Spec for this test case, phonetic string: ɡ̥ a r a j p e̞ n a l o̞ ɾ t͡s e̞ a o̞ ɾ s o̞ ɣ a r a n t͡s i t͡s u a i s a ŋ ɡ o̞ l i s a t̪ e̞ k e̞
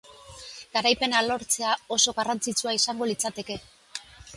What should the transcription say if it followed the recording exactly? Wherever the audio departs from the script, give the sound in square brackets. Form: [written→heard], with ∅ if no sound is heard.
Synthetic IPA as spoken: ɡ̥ a [r→ɾ] a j p e̞ n a l o̞ ɾ t͡s e̞ a o̞ [ɾ→∅] s o̞ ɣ a r a n t͡s i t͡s u a i s a ŋ ɡ o̞ l i [s→t͡s] a t̪ e̞ k e̞